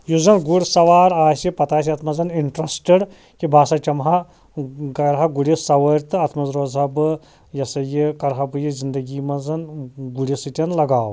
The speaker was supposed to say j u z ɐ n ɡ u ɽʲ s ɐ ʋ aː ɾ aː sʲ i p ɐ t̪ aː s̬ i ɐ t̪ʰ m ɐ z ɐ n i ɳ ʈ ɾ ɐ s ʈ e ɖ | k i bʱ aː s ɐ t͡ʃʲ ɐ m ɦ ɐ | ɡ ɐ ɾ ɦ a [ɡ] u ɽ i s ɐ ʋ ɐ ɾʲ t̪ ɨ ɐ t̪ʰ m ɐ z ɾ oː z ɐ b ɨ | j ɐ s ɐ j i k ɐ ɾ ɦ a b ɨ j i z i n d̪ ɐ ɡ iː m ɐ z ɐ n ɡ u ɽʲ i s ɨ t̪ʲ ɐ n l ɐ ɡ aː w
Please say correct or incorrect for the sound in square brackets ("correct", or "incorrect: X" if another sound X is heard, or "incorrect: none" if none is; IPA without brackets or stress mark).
correct